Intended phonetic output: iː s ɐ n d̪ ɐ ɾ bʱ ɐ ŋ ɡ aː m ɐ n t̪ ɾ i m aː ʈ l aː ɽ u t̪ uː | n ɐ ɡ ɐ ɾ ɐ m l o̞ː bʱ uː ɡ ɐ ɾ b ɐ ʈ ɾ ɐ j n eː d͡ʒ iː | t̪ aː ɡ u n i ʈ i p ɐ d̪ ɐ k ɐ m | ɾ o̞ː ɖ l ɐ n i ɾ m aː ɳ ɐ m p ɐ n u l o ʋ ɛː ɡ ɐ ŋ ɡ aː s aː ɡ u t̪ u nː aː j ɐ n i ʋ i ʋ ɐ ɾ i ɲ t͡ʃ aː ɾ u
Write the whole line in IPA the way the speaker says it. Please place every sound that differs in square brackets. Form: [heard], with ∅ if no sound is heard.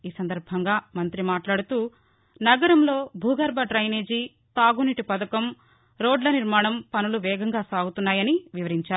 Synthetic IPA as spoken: iː s ɐ n d̪ ɐ ɾ bʱ ɐ ŋ ɡ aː m ɐ n t̪ ɾ i m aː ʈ l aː ɽ u t̪ uː | n ɐ ɡ ɐ ɾ ɐ m l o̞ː bʱ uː ɡ ɐ ɾ b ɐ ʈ ɾ ɐ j n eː d͡ʒ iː | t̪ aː ɡ u n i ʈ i p ɐ d̪ ɐ k ɐ m | ɾ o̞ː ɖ l ɐ n i ɾ m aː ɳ ɐ m p ɐ n u l [u] ʋ ɛː ɡ ɐ ŋ ɡ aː s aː ɡ u t̪ u nː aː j ɐ n i ʋ i ʋ ɐ ɾ i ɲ t͡ʃ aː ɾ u